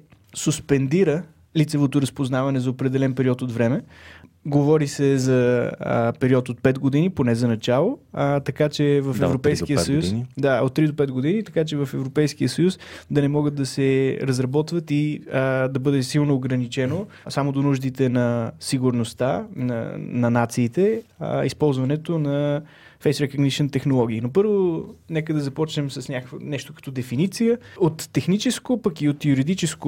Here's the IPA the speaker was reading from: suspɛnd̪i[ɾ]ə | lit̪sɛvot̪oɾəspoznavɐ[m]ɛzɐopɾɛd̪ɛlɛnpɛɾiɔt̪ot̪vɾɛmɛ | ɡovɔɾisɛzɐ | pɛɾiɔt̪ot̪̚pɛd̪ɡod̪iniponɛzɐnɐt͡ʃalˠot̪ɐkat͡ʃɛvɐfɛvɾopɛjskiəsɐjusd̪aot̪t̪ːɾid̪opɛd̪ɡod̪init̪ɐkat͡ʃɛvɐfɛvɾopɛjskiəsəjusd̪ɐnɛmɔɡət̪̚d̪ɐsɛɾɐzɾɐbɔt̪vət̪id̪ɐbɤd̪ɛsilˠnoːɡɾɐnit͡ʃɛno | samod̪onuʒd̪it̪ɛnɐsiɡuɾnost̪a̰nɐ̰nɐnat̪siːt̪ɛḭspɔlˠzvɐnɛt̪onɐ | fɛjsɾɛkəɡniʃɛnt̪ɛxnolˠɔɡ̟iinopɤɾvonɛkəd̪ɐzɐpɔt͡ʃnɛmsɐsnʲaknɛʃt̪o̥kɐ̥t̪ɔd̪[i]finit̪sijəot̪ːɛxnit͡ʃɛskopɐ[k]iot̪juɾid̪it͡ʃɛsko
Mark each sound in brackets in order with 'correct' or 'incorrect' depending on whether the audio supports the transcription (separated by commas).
correct, incorrect, incorrect, correct